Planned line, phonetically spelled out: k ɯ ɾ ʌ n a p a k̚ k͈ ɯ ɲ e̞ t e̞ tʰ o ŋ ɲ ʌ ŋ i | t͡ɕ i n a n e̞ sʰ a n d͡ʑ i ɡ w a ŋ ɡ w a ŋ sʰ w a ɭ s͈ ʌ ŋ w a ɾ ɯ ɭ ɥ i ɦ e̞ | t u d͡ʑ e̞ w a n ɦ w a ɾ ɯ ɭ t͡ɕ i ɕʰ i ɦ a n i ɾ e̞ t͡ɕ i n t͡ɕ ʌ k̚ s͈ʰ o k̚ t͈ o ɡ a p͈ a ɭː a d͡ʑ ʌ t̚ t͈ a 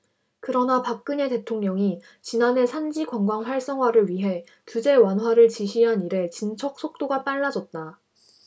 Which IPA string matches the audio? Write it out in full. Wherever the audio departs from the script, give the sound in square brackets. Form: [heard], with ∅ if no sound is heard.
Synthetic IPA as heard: k ɯ ɾ ʌ n a p a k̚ k͈ ɯ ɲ e̞ t e̞ tʰ o ŋ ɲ ʌ ŋ i | t͡ɕ i n a n e̞ sʰ a n d͡ʑ i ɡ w a ŋ ɡ w a ŋ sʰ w a ɭ s͈ ʌ ŋ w a ɾ ɯ ɭ ɥ i ɦ e̞ | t u d͡ʑ e̞ w a n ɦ w a ɾ ɯ ɭ t͡ɕ i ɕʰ i ɦ a n i ɾ e̞ t͡ɕ i n [t͡ɕʰ] ʌ k̚ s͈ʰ o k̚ t͈ o ɡ a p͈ a ɭː a d͡ʑ ʌ t̚ t͈ a